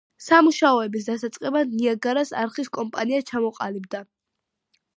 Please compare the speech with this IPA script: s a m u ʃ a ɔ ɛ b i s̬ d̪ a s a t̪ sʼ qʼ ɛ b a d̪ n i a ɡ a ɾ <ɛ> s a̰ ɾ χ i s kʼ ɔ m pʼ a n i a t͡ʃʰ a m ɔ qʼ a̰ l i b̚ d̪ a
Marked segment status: incorrect: a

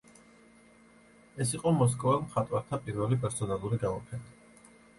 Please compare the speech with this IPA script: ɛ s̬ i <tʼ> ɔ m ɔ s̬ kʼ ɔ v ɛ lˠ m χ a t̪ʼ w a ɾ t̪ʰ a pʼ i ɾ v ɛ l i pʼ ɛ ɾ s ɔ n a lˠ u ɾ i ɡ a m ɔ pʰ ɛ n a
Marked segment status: incorrect: qʼ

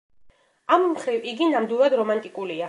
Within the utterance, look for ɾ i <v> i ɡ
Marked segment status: correct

